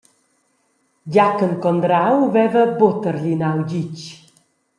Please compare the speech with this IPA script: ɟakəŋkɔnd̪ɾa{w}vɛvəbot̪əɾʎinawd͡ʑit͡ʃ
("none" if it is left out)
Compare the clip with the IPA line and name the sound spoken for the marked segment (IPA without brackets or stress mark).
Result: w